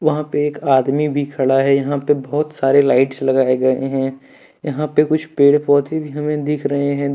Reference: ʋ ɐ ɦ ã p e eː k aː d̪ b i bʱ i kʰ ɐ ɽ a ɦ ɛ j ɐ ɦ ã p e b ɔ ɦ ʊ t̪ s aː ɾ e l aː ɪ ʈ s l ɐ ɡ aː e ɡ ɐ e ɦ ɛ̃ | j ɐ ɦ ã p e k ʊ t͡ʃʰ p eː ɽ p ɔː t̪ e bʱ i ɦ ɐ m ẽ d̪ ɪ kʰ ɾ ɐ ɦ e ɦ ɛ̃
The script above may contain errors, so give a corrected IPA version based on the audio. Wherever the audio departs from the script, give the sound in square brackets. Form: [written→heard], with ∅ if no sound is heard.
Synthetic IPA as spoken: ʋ ɐ ɦ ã p e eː k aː d̪ [b→m] i bʱ i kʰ ɐ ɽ a ɦ ɛ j ɐ ɦ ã p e b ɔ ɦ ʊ t̪ s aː ɾ e l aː ɪ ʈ s l ɐ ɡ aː e ɡ ɐ e ɦ ɛ̃ | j ɐ ɦ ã p e k ʊ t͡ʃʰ p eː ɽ p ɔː t̪ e bʱ i ɦ ɐ m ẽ d̪ ɪ kʰ ɾ ɐ ɦ e ɦ ɛ̃